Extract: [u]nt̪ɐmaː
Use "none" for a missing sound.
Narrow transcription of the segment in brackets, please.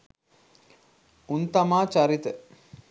u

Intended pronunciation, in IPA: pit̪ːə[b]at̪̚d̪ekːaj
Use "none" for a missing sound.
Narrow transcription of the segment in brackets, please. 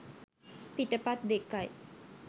p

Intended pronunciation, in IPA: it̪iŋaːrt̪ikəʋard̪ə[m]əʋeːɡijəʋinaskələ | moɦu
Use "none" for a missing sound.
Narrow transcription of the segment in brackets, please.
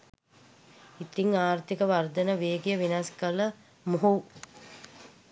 n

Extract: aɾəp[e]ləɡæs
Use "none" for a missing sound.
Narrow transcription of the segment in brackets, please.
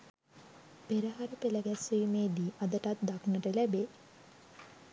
e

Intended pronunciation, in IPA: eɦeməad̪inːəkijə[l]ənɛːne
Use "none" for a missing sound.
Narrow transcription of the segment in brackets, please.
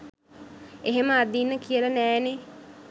l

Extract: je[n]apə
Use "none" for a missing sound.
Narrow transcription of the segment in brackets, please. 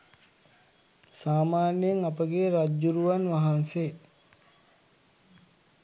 ŋ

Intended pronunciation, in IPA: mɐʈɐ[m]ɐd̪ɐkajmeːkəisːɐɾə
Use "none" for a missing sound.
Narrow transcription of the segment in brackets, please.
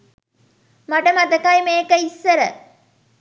m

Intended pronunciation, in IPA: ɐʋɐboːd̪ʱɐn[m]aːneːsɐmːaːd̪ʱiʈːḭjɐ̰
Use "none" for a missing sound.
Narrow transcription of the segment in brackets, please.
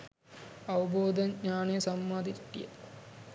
ɲ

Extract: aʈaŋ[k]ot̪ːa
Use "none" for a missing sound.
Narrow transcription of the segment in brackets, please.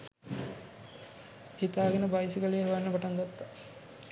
ɡ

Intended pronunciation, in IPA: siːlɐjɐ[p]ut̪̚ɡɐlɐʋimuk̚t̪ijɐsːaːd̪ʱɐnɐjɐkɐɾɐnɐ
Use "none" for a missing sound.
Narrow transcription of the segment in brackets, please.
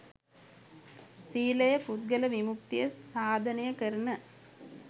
p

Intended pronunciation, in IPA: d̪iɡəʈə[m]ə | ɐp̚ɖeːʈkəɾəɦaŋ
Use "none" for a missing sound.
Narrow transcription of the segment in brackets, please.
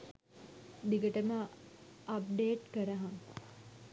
m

